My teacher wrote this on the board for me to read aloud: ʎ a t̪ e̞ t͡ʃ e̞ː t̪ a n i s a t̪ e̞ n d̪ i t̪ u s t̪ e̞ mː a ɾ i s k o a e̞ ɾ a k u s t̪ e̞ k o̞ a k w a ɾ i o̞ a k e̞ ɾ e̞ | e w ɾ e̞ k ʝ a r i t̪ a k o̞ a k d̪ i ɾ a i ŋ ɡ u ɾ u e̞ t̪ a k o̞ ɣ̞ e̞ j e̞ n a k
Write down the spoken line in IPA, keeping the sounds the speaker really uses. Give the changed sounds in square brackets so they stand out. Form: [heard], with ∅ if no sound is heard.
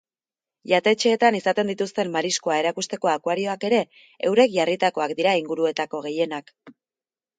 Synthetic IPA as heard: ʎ a t̪ e̞ t͡ʃ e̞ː t̪ a n i s a t̪ e̞ n d̪ i t̪ u s t̪ e̞ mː a ɾ i s k o a e̞ ɾ a k u s t̪ e̞ k o̞ a k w a ɾ i o̞ a k e̞ ɾ e̞ | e w ɾ e̞ k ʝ a r i t̪ a k o̞ a k d̪ i ɾ a i ŋ ɡ u ɾ u e̞ t̪ a k o̞ ɣ̞ e̞ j e̞ n a k